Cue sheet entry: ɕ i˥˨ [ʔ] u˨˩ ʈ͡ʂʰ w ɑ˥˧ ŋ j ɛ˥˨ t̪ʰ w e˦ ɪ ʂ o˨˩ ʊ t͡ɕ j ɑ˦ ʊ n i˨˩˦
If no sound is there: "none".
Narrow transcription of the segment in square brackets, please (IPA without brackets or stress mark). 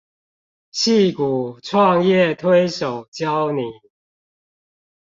k